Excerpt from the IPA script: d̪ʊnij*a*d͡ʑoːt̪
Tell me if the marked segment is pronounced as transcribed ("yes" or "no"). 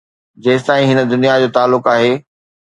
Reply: yes